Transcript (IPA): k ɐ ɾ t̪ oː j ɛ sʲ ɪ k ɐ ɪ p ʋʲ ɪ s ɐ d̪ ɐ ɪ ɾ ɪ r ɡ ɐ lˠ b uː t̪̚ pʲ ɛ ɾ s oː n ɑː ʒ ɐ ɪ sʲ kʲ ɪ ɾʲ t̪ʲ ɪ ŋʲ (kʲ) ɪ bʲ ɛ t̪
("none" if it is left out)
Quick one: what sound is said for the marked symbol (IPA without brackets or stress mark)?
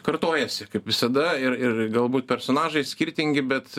ɡʲ